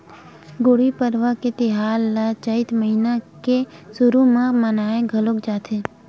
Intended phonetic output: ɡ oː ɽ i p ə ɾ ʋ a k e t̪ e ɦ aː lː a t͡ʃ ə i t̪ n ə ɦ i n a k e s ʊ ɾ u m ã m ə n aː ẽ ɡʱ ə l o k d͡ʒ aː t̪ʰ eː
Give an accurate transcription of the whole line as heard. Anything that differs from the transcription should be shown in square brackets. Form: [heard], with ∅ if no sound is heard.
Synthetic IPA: ɡ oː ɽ i p ə ɾ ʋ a k e t̪ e ɦ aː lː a t͡ʃ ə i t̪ [m] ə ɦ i n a k e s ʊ ɾ u m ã m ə n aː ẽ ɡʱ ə l o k d͡ʒ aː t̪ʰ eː